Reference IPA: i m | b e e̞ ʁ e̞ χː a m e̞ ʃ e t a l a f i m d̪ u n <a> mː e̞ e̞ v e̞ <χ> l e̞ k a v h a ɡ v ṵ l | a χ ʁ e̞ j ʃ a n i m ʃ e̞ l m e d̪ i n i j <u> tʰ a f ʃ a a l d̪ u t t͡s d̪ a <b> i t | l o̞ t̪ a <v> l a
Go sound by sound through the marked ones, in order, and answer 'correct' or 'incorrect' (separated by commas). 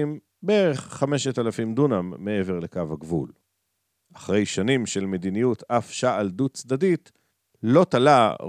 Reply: correct, incorrect, correct, incorrect, incorrect